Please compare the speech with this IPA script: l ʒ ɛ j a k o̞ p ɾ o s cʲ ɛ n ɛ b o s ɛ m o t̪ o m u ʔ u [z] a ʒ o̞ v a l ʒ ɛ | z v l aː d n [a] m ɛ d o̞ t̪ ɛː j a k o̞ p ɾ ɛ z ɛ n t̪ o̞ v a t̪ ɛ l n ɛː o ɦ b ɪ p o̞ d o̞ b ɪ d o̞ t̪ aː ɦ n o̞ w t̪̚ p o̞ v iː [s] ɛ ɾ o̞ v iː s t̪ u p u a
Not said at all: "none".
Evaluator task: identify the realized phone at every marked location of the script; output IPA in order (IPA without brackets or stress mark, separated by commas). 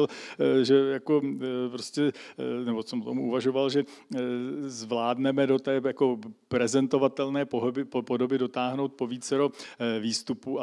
v, ɛ, t͡s